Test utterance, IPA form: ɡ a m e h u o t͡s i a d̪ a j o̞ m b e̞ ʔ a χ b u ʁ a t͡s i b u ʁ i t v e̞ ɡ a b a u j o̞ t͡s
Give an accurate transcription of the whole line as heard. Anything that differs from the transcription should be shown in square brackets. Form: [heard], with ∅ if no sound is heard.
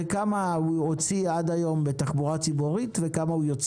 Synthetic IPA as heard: [k] a m [a] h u o t͡s i a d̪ a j o̞ m b e̞ [t] a χ b u ʁ a t͡s i b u ʁ i t v e̞ [k] a [m] a u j o̞ t͡s